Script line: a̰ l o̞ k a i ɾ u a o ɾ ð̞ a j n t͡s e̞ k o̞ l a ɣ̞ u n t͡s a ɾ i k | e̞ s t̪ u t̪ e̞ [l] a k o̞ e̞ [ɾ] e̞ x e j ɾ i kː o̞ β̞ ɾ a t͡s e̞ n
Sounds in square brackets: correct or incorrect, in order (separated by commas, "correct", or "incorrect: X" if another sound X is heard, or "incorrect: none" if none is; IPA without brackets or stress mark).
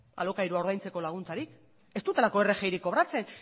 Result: correct, incorrect: r